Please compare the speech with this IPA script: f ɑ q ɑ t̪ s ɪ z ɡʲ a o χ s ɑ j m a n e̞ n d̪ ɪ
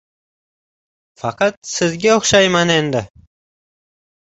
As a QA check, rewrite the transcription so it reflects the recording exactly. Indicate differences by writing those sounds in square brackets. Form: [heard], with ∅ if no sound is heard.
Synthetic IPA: f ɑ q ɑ t̪ s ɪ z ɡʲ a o χ [ʃ] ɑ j m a n e̞ n d̪ ɪ